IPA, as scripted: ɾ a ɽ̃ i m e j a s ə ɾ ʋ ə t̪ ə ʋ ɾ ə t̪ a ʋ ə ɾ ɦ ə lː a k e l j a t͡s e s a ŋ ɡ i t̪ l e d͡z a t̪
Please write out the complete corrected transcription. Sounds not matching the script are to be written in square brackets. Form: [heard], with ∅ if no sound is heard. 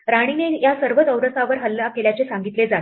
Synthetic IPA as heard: ɾ a ɽ̃ i [n] e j a s ə ɾ ʋ ə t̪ ə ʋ ɾ ə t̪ a ʋ ə ɾ ɦ ə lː a k e l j a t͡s e s a ŋ ɡ i t̪ l e d͡z a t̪